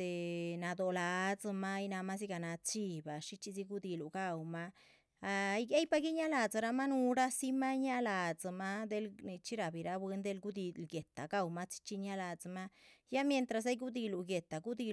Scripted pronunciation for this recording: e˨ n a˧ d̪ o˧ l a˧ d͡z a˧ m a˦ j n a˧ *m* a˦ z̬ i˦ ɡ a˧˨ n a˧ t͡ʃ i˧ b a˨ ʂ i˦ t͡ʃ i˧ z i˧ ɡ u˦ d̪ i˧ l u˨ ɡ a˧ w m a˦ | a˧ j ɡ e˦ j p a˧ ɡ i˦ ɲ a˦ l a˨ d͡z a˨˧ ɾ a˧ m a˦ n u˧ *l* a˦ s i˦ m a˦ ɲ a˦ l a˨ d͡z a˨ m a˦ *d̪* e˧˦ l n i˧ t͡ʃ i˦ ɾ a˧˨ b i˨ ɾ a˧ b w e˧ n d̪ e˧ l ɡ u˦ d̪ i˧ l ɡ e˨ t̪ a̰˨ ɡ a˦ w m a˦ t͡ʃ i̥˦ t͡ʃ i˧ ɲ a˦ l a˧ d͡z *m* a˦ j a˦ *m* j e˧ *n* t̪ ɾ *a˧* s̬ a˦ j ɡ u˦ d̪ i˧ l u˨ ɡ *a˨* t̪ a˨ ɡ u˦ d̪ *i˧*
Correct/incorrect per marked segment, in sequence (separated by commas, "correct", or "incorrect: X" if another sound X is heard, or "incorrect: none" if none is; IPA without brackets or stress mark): correct, incorrect: ɾ, correct, correct, correct, correct, correct, incorrect: e˨, correct